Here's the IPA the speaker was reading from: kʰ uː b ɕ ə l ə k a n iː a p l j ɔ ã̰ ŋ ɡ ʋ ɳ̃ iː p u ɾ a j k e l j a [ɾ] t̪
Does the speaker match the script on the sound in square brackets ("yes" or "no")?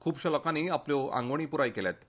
no